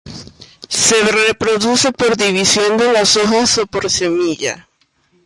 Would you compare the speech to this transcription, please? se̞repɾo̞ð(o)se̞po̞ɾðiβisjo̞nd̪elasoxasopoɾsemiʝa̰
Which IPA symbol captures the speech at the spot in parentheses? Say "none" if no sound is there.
u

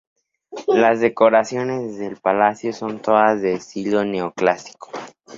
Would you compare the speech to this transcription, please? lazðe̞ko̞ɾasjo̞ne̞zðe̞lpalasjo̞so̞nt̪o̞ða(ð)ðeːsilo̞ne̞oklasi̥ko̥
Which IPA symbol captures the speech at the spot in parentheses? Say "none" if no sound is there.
z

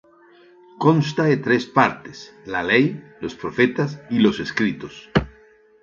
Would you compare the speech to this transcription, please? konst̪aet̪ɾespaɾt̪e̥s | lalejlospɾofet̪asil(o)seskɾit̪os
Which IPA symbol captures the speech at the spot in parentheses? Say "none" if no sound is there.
o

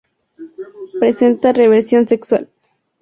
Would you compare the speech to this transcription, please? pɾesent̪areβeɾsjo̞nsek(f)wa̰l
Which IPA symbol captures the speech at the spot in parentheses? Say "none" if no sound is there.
s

